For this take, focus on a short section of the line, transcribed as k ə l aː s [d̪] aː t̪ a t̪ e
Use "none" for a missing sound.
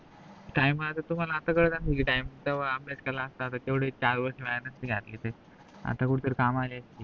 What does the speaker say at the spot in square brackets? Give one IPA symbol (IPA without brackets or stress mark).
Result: t̪